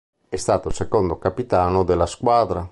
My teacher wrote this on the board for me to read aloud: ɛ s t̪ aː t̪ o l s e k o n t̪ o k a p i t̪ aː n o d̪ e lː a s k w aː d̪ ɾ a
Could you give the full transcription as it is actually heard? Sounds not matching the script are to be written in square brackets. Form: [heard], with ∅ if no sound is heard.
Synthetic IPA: ɛ s t̪ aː t̪ o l s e k o n [d̪] o k a p i t̪ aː n o d̪ e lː a s k w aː d̪ ɾ a

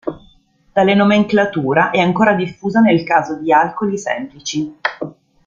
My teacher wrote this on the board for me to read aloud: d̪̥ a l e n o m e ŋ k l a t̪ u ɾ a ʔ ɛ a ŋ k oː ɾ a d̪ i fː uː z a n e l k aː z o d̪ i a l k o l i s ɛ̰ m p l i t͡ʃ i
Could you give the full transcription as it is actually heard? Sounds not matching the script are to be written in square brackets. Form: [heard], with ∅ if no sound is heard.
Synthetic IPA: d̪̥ a l e n o m e ŋ k l a t̪ [uː] ɾ a ʔ ɛ a ŋ k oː ɾ a d̪ i fː uː z a n e l k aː z o d̪ i a l k o l i s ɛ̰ m p l i t͡ʃ i

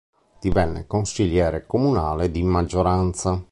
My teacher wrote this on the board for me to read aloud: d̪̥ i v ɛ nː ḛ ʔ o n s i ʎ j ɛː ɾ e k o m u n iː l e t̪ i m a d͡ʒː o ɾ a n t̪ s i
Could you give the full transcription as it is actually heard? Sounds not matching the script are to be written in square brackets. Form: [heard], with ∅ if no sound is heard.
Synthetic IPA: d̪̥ i v ɛ nː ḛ [k] o n s i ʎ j ɛː ɾ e k o m u n [aː] l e [d̪] i m a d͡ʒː o ɾ a n t̪ s [a]

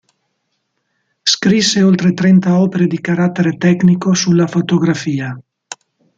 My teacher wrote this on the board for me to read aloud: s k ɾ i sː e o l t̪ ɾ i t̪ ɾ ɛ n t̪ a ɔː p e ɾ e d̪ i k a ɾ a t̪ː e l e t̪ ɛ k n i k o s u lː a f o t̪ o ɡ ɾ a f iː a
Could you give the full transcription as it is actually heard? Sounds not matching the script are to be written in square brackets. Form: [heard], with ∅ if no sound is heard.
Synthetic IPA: s k ɾ i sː e o l t̪ ɾ [e] t̪ ɾ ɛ n t̪ a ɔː p e ɾ e d̪ i k a ɾ a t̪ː e [ɾ] e t̪ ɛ k n i k o s u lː a f o t̪ o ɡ ɾ a f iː a

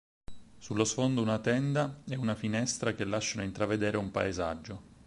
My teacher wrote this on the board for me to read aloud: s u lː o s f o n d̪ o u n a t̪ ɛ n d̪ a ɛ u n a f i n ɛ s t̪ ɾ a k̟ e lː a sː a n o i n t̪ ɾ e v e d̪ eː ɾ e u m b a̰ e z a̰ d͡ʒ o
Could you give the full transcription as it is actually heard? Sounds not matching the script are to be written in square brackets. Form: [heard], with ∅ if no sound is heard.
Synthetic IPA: s u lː o s f o n d̪ o u n a t̪ ɛ n d̪ a ɛ u n a f i n ɛ s t̪ ɾ a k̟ e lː a [ʃː] a n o i n t̪ ɾ [a] v e d̪ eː ɾ e u m [p] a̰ e z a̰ [d͡ʒː] o

